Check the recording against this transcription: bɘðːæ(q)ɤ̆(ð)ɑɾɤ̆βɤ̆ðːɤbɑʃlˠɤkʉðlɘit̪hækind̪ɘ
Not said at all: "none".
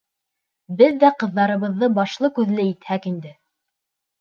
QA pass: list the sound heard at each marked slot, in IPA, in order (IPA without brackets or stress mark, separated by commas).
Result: q, ðː